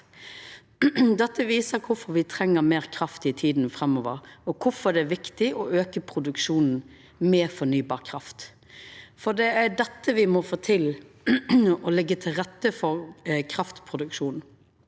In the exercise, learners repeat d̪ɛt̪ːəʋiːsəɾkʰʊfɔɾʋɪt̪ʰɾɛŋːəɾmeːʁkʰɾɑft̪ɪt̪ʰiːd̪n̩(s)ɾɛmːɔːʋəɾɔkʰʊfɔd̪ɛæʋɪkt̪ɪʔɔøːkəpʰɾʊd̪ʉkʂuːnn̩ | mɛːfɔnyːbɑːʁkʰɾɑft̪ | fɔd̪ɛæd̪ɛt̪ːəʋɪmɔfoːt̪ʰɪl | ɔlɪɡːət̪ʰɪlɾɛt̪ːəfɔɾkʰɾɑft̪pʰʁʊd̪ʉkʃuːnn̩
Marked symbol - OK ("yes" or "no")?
no